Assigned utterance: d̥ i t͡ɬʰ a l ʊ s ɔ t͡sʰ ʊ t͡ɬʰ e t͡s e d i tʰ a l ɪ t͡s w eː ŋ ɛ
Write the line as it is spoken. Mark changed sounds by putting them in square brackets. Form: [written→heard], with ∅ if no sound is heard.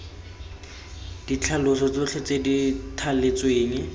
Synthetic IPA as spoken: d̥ i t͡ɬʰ a l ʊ s ɔ [t͡sʰ→t͡s] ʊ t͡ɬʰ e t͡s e d i tʰ a l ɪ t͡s w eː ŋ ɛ